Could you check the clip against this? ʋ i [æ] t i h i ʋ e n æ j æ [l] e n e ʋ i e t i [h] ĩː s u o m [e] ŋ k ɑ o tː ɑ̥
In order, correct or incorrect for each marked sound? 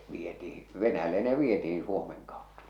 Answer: incorrect, incorrect, correct, correct

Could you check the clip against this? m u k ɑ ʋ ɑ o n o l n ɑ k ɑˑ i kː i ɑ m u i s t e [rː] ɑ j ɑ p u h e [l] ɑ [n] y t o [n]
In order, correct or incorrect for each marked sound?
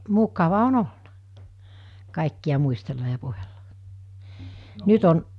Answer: incorrect, incorrect, correct, correct

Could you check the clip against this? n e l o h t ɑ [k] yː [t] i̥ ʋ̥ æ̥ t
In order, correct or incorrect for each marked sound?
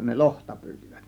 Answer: incorrect, correct

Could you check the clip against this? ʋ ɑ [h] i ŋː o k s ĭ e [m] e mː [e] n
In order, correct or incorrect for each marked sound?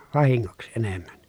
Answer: correct, incorrect, incorrect

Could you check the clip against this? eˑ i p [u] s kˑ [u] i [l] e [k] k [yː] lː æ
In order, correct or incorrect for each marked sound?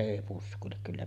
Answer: correct, correct, correct, correct, incorrect

